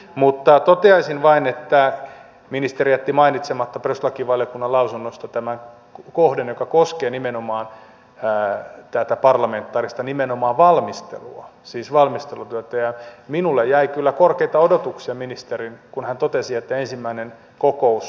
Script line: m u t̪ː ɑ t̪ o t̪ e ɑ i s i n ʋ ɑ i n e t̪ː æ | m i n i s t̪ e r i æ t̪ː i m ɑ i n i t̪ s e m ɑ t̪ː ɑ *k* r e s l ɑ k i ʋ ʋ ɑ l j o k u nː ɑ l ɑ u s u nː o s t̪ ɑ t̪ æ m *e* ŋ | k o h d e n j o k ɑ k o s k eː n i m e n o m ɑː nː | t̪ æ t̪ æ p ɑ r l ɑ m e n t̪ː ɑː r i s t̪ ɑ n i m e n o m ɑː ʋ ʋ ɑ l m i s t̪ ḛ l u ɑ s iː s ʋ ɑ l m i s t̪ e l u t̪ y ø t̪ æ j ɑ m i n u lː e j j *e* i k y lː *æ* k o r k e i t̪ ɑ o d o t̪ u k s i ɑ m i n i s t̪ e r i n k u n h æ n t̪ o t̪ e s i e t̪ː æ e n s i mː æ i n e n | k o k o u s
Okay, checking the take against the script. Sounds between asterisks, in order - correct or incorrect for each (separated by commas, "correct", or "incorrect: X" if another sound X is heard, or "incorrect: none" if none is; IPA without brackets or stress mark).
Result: incorrect: p, incorrect: æ, incorrect: æ, correct